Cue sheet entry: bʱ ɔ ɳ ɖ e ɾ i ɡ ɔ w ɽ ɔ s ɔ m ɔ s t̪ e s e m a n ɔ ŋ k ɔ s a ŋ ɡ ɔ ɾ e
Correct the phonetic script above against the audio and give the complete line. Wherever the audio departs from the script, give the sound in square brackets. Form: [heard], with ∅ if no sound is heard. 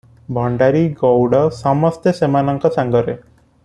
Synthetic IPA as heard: bʱ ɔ ɳ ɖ [a] ɾ i ɡ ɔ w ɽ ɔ s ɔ m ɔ s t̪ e s e m a n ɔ ŋ k ɔ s a ŋ ɡ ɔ ɾ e